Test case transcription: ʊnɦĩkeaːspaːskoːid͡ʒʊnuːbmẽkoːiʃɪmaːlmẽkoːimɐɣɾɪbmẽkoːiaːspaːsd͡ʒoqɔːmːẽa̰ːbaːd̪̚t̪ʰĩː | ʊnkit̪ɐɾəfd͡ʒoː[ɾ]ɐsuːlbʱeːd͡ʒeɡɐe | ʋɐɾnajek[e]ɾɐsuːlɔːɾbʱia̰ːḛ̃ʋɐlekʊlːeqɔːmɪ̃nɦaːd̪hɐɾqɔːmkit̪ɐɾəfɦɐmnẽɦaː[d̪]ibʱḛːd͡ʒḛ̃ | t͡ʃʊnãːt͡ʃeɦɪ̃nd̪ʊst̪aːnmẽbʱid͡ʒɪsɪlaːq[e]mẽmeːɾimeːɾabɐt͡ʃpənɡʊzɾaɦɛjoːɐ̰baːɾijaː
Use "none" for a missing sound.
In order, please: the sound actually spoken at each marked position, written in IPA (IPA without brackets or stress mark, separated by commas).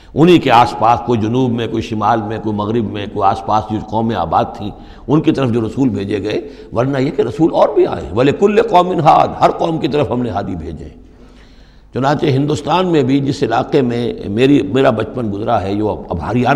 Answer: ɾ, e, d̪, e